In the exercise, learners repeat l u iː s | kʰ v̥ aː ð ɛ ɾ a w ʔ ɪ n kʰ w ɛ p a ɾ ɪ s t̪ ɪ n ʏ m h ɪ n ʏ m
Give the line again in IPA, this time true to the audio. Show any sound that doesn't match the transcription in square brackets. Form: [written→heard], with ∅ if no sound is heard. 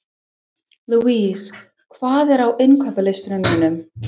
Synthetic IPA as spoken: l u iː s | kʰ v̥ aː ð ɛ ɾ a w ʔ ɪ n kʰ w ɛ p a [ɾ→l] ɪ s t̪ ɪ n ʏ m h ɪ n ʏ m